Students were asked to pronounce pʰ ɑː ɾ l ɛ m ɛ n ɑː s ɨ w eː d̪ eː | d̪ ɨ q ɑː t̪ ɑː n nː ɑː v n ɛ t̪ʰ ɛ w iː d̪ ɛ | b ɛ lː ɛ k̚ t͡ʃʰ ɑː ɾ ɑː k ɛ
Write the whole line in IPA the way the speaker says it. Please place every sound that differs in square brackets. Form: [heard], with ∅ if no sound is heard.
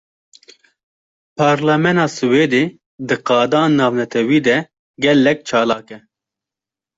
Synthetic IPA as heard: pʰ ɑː ɾ l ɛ m ɛ n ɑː s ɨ w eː d̪ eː | d̪ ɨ q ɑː [d̪] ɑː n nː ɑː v n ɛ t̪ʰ ɛ w iː d̪ ɛ | [ɡ] ɛ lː ɛ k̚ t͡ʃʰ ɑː [l] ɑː k ɛ